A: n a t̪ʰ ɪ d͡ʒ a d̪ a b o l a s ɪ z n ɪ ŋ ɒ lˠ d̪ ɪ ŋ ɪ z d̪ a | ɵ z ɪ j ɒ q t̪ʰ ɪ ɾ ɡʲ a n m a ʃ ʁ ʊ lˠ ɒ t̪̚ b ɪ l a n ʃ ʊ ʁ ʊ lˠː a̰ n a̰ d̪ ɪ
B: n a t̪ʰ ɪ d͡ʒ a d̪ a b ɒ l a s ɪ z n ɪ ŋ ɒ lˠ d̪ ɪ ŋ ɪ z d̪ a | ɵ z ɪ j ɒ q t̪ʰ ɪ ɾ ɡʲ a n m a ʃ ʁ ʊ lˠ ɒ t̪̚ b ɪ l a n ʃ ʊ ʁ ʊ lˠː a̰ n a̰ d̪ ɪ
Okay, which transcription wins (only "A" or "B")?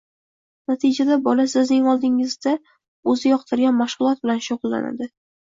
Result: B